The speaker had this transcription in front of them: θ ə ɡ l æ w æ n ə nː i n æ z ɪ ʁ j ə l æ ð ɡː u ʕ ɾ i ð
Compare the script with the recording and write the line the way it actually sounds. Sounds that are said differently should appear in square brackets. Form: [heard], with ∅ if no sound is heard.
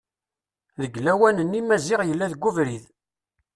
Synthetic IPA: [ð] ə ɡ l æ w æ n ə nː i [m] æ z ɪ ʁ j ə [lː] æ ð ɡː u [v] ɾ i ð